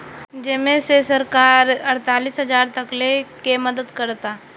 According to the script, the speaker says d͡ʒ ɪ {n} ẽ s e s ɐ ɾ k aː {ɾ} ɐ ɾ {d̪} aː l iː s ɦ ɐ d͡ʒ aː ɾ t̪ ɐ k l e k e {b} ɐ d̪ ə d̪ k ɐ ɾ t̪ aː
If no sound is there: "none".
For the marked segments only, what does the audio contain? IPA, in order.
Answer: m, ɾ, t̪, m

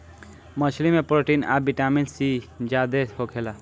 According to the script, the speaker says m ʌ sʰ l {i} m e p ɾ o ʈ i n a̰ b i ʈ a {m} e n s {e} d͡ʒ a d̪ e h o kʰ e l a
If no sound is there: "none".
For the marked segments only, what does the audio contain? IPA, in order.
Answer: i, m, i

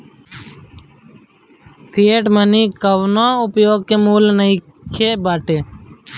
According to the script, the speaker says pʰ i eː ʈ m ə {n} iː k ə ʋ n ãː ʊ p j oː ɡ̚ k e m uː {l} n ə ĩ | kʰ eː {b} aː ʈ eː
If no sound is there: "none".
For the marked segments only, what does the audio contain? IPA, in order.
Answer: n, l, b

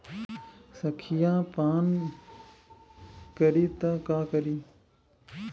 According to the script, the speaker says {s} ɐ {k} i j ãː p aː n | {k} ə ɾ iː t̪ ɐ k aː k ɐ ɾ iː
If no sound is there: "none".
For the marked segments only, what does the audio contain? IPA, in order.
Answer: s, kʰ, k

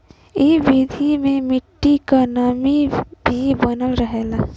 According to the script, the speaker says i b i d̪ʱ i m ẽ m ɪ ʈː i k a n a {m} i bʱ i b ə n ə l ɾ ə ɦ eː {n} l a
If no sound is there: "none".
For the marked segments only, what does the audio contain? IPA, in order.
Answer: m, none

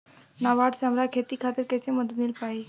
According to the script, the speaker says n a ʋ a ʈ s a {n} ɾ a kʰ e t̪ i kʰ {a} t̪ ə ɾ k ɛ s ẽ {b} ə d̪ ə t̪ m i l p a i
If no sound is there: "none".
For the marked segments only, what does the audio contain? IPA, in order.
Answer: m, a, m

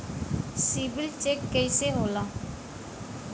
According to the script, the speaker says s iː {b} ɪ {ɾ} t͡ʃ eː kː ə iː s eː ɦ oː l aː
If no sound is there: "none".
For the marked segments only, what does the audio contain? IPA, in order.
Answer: b, l

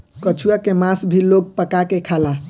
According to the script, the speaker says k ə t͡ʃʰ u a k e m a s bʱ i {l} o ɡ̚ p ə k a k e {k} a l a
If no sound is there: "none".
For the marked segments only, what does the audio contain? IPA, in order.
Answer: l, kʰ

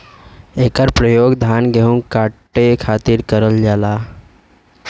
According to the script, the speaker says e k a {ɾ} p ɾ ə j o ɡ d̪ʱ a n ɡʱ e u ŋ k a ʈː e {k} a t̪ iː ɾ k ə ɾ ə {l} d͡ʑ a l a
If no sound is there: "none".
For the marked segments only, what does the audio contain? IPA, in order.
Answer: ɾ, kʰ, l

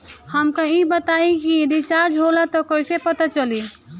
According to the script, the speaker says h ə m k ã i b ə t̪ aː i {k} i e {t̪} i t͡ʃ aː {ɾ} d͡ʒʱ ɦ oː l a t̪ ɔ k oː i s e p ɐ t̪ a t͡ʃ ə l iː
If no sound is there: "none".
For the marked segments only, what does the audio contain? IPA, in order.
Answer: k, d̪, ɾ

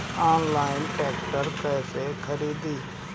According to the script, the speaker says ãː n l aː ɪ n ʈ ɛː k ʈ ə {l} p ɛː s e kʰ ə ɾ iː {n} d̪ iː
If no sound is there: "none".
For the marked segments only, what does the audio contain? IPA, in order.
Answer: ɾ, none

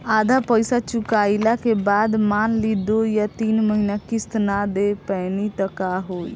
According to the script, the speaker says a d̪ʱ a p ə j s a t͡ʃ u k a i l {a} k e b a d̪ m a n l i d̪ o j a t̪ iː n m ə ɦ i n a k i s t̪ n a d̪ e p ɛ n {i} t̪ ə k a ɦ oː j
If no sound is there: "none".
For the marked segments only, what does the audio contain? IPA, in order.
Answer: a, i

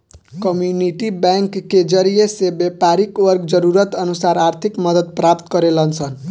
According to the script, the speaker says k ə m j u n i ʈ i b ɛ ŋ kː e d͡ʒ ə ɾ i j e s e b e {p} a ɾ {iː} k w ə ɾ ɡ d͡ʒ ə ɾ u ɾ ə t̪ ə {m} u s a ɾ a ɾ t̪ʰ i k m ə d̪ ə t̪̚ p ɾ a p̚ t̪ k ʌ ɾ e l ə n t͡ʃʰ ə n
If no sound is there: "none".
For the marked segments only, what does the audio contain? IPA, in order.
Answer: p, i, n

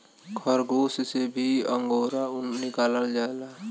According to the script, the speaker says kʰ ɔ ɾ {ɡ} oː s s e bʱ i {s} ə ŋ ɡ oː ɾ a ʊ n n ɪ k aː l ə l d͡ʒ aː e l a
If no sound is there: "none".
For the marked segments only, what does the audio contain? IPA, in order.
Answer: ɡ, none

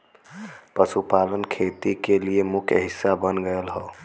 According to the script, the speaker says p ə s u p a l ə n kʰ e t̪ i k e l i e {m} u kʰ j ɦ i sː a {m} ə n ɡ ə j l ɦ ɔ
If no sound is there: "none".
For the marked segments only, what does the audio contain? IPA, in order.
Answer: m, b

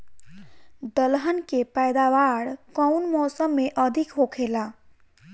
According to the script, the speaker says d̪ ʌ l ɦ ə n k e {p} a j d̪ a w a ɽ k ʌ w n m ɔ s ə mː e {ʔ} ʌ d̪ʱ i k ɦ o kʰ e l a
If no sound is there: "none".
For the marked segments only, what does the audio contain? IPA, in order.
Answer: p, ʔ

